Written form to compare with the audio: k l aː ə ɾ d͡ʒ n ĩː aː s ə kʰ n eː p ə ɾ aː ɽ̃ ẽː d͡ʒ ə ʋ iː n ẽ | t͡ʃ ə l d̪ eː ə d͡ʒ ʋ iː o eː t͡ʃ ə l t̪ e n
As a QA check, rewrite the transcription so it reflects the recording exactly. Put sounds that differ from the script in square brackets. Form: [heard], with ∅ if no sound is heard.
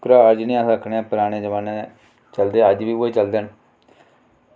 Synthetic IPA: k [ɾ] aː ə ɾ d͡ʒ n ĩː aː s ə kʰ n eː p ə ɾ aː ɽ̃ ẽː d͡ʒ ə ʋ [aː] n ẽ | t͡ʃ ə l d̪ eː ə d͡ʒ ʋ iː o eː t͡ʃ ə l [d̪] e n

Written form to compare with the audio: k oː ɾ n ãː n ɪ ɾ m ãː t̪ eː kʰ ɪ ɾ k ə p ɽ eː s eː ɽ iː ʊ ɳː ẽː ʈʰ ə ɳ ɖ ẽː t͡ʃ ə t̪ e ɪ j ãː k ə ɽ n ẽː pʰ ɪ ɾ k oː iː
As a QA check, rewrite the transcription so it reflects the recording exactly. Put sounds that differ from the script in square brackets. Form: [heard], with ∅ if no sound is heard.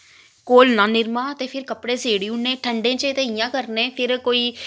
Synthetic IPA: k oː [l] n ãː n ɪ ɾ m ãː t̪ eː [pʰ] ɪ ɾ k ə p ɽ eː s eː ɽ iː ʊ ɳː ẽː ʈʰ ə ɳ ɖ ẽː t͡ʃ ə t̪ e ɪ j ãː k ə [ɾ] n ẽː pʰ ɪ ɾ k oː iː

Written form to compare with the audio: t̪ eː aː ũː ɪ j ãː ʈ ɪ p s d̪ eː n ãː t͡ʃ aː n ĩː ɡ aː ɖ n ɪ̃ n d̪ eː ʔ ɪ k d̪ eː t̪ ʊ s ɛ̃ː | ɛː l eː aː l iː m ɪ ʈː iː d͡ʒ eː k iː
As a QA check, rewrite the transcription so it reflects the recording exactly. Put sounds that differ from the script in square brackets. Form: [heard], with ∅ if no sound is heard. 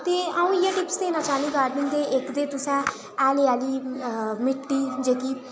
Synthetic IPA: t̪ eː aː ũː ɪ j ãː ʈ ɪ p s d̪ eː n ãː t͡ʃ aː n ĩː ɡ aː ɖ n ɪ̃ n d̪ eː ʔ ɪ k d̪ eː t̪ ʊ s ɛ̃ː | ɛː l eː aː l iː m ɪ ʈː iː d͡ʒ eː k iː

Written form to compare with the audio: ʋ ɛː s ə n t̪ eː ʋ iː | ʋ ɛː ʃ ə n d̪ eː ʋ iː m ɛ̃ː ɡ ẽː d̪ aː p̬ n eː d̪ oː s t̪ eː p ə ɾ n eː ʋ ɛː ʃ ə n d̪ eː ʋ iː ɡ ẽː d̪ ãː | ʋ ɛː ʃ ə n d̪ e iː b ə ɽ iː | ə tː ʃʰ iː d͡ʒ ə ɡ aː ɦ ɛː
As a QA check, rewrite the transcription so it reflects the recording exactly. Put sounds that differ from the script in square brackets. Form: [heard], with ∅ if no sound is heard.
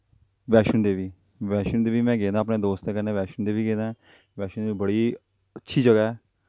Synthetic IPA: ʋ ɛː [ʃ] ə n [d̪] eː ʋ iː | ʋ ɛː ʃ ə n d̪ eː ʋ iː m ɛ̃ː ɡ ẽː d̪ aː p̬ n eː d̪ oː s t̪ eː [k] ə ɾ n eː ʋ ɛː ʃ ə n d̪ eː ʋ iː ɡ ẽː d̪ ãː | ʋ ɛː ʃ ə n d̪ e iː b ə ɽ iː | ə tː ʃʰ iː d͡ʒ ə ɡ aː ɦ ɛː

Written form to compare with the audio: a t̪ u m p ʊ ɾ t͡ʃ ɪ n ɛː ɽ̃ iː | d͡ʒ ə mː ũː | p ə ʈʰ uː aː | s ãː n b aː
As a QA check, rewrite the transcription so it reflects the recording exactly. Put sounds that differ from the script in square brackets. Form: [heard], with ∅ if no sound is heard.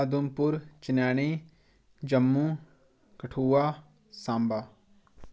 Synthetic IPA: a [d̪] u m p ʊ ɾ t͡ʃ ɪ n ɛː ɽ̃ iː | d͡ʒ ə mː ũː | [k] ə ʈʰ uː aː | s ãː [m] b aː

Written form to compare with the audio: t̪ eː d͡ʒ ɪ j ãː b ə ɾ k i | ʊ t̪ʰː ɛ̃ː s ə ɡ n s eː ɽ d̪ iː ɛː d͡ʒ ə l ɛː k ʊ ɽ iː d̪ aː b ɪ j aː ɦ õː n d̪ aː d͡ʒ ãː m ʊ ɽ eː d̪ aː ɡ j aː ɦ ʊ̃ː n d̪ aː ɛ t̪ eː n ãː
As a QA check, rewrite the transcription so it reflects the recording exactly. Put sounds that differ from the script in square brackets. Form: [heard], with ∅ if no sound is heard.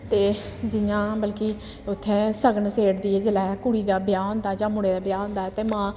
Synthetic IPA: t̪ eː d͡ʒ ɪ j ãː b ə [l] k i | ʊ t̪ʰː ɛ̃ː s ə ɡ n s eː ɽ d̪ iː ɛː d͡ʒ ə l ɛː k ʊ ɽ iː d̪ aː b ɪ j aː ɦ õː n d̪ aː d͡ʒ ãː m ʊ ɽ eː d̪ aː [b] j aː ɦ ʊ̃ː n d̪ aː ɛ t̪ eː [m] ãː

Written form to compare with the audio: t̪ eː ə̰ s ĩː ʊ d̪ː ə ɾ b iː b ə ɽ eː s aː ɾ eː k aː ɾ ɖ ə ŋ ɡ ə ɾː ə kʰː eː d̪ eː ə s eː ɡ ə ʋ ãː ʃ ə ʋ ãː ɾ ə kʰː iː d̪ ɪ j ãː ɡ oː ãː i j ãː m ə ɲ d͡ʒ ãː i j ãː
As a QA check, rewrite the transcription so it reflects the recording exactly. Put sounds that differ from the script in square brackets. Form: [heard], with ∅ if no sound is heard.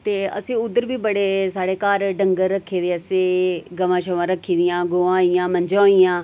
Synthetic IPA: t̪ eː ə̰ s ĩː ʊ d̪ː ə ɾ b iː b ə ɽ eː s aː [ɽ] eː k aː ɾ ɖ ə ŋ ɡ ə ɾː ə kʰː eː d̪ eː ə s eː ɡ ə ʋ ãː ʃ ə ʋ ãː ɾ ə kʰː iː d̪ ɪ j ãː ɡ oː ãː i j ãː m ə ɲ d͡ʒ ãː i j ãː

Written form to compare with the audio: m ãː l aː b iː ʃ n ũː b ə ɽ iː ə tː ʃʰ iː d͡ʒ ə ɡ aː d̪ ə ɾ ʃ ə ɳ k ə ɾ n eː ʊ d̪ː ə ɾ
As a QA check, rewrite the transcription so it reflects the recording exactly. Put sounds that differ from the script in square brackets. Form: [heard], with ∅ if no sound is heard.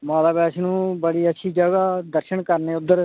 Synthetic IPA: m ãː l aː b [ɛː] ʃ n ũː b ə ɽ iː ə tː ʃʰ iː d͡ʒ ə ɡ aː d̪ ə ɾ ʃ ə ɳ k ə ɾ n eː ʊ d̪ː ə ɾ

